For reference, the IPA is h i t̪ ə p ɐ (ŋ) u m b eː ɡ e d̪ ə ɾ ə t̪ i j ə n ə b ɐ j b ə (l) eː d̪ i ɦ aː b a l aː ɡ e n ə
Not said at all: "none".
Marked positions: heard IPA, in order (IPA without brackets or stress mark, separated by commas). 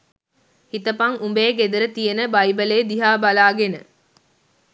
ŋ, l